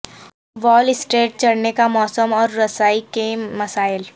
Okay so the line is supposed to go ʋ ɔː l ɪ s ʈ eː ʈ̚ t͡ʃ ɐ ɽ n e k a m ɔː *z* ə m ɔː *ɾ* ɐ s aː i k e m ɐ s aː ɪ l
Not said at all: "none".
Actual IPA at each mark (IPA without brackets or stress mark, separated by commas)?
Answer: s, ɾː